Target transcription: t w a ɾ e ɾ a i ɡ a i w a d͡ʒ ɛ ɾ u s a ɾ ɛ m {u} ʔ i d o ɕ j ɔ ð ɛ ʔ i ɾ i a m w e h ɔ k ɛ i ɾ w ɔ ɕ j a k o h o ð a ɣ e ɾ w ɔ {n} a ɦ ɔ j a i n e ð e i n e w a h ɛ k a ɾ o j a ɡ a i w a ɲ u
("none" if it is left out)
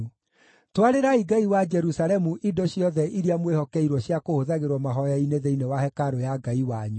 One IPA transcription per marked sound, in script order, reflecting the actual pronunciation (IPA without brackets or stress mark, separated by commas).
u, m